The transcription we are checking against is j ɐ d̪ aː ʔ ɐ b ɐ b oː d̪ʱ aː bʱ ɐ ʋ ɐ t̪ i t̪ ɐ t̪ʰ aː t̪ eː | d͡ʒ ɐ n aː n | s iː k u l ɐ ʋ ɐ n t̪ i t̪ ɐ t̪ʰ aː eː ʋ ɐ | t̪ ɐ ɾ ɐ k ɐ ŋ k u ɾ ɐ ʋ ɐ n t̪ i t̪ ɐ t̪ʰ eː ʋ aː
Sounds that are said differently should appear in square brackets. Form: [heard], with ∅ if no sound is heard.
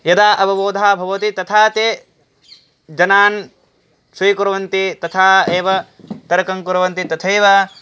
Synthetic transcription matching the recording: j ɐ d̪ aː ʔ ɐ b ɐ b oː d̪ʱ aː bʱ ɐ ʋ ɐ t̪ i t̪ ɐ t̪ʰ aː t̪ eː | d͡ʒ ɐ n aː n | s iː k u [ɾ] ɐ ʋ ɐ n t̪ i t̪ ɐ t̪ʰ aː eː ʋ ɐ | t̪ ɐ ɾ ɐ k ɐ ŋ k u ɾ ɐ ʋ ɐ n t̪ i t̪ ɐ t̪ʰ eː ʋ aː

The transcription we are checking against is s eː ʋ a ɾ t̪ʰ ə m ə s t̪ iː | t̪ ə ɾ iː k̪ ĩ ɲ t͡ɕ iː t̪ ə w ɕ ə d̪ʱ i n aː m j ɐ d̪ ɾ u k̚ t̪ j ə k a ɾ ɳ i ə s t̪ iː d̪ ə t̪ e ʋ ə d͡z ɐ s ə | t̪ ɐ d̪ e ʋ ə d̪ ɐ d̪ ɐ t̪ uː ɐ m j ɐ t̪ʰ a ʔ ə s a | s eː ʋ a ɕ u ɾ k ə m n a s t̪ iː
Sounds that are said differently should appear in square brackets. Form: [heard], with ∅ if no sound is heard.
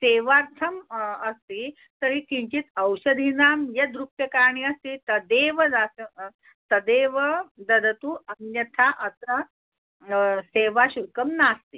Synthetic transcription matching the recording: s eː ʋ a ɾ t̪ʰ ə m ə s t̪ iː | t̪ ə ɾ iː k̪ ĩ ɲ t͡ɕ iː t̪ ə w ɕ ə d̪ʱ i n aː m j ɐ d̪ ɾ u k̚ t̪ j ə k a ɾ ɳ i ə s t̪ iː [t̪] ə [d̪] e ʋ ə d͡z [a] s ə | t̪ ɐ d̪ e ʋ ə d̪ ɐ d̪ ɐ t̪ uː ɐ [n] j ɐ t̪ʰ a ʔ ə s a | s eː ʋ a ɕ u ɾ k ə m n a s t̪ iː

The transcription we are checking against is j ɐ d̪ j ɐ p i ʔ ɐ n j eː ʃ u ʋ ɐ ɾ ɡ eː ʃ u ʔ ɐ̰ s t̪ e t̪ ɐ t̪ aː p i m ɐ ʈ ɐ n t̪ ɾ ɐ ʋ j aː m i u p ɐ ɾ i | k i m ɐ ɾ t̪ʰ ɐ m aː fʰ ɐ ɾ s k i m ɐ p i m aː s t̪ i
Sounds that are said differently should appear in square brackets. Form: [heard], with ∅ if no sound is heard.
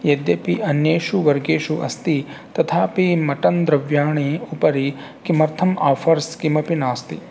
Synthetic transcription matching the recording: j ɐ d̪ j ɐ p i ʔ ɐ n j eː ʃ u ʋ ɐ ɾ ɡ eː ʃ u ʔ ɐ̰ s t̪ [i] t̪ ɐ [t̪ʰ] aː p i m ɐ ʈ ɐ n [d̪] ɾ ɐ ʋ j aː [ɳ] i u p ɐ ɾ i | k i m ɐ ɾ t̪ʰ ɐ m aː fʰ ɐ ɾ s k i m ɐ p i [n] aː s t̪ i

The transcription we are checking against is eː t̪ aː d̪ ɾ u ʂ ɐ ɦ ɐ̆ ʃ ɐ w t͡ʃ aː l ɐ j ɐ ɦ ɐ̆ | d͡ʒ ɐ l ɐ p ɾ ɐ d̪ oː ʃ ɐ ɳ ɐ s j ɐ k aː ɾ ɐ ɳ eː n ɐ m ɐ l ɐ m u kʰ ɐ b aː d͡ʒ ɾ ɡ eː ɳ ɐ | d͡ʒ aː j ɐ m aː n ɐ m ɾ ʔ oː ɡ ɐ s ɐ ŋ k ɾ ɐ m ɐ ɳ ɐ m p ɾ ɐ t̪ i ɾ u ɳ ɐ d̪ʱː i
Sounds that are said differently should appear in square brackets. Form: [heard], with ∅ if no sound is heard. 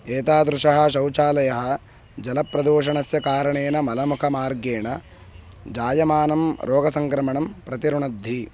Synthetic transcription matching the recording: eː t̪ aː d̪ ɾ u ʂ ɐ ɦ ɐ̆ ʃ ɐ w t͡ʃ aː l ɐ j ɐ ɦ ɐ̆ | d͡ʒ ɐ l ɐ p ɾ ɐ d̪ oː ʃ ɐ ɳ ɐ s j ɐ k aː ɾ ɐ ɳ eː n ɐ m ɐ l ɐ m u kʰ ɐ [m] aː [∅] ɾ ɡ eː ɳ ɐ | d͡ʒ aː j ɐ m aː n ɐ m ɾ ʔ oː ɡ ɐ s ɐ ŋ k ɾ ɐ m ɐ ɳ ɐ m p ɾ ɐ t̪ i ɾ u ɳ ɐ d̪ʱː i

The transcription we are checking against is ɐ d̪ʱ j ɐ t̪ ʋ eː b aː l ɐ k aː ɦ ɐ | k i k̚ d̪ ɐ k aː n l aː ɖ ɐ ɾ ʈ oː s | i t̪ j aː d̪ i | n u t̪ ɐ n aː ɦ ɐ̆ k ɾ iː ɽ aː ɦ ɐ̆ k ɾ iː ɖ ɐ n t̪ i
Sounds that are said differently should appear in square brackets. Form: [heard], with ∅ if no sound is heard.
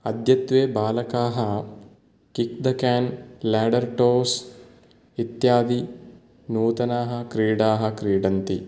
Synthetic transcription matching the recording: ɐ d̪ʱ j ɐ t̪ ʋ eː b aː l ɐ k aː ɦ ɐ | k i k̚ d̪ ɐ k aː n l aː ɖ ɐ ɾ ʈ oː s | i t̪ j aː d̪ i | n [uː] t̪ ɐ n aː ɦ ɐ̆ k ɾ iː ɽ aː ɦ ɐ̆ k ɾ iː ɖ ɐ n t̪ i

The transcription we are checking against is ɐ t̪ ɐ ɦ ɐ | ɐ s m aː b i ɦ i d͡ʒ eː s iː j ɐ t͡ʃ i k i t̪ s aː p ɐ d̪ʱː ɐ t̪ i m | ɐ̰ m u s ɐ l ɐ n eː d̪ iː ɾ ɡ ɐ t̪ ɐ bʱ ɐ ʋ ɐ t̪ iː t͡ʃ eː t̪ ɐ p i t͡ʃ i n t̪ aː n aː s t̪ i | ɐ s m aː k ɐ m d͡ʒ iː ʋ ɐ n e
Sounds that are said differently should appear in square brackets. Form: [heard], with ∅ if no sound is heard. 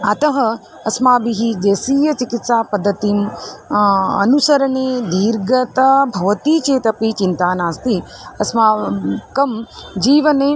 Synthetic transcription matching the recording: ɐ t̪ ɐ ɦ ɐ | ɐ s m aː b i ɦ i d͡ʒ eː s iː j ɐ t͡ʃ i k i t̪ s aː p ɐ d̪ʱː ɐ t̪ i m | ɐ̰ [n] u s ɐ [ɾ] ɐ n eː d̪ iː ɾ ɡ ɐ t̪ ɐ bʱ ɐ ʋ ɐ t̪ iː t͡ʃ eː t̪ ɐ p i t͡ʃ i n t̪ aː n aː s t̪ i | ɐ s m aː k ɐ m d͡ʒ iː ʋ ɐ n e

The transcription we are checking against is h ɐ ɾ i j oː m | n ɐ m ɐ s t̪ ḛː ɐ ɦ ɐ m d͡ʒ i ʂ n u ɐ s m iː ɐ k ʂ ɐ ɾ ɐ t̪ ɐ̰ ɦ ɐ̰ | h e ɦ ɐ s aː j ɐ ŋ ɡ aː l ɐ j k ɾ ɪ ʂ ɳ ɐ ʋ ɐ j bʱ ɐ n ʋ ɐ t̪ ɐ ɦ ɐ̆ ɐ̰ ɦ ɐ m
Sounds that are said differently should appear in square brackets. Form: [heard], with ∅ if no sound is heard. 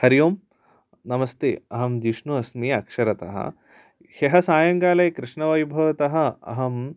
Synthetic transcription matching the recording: h ɐ ɾ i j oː m | n ɐ m ɐ s t̪ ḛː ɐ ɦ ɐ m d͡ʒ i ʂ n u ɐ s m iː ɐ k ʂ ɐ ɾ ɐ t̪ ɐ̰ ɦ ɐ̰ | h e ɦ ɐ s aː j ɐ ŋ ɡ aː l ɐ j k ɾ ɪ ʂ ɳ ɐ ʋ ɐ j bʱ ɐ [∅] ʋ ɐ t̪ ɐ ɦ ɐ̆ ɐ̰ ɦ ɐ m

